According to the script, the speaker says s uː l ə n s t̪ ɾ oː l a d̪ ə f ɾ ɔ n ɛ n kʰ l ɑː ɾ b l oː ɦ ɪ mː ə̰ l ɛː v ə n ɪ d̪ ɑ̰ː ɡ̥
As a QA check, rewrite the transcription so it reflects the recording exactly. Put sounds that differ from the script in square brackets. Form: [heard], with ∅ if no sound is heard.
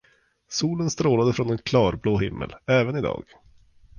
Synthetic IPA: s uː l ə n s t̪ ɾ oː l a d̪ ə f ɾ ɔ n ɛ n kʰ l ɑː ɾ b l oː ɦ ɪ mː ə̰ l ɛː v ə n ɪ d̪ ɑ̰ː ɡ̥

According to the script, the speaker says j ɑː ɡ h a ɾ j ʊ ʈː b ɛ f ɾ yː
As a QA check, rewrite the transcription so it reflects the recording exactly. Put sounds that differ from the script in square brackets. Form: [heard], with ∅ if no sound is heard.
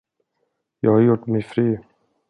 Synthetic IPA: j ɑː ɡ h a ɾ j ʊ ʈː [m] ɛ f ɾ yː

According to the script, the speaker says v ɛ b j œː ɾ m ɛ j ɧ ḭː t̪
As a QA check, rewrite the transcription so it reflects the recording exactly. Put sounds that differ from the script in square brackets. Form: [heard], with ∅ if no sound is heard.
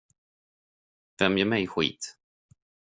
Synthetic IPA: v ɛ [m] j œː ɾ m ɛ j ɧ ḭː t̪

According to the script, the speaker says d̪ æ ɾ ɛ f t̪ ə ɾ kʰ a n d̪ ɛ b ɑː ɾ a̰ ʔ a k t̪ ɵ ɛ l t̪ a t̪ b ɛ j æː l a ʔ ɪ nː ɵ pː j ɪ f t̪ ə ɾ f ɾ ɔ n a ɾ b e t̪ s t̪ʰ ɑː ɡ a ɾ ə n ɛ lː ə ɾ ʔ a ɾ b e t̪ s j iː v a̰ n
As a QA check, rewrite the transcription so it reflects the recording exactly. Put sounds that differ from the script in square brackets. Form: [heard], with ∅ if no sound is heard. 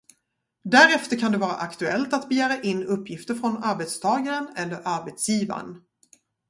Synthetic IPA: d̪ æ ɾ ɛ f t̪ ə ɾ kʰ a n d̪ ɛ [v] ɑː ɾ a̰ ʔ a k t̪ ɵ ɛ l t̪ a t̪ b ɛ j æː [ɾ] a ʔ ɪ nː ɵ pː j ɪ f t̪ ə ɾ f ɾ ɔ n a ɾ b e t̪ s t̪ʰ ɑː ɡ a ɾ ə n ɛ lː ə ɾ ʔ a ɾ b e t̪ s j iː v a̰ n

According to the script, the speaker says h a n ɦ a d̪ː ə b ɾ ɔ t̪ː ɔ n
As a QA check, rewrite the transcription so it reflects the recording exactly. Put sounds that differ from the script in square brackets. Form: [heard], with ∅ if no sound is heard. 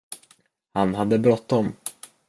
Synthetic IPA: h a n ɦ a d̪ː ə b ɾ ɔ t̪ː ɔ [m]

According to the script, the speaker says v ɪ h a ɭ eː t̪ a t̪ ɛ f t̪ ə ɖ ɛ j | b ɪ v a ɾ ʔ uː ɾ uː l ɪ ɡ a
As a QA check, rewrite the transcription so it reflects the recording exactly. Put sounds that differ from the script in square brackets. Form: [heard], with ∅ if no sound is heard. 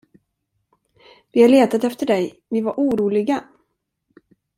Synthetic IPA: v ɪ h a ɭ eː t̪ a t̪ ɛ f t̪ ə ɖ ɛ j | [v] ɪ v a ɾ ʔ uː ɾ uː l ɪ ɡ a

